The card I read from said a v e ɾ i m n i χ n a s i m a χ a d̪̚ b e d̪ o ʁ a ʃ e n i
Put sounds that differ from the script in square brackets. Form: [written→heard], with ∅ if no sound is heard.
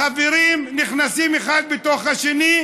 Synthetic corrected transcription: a v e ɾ i m n i χ n a s i m [a→e] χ a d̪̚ b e [d̪→t̪] o [ʁ→χ] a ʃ e n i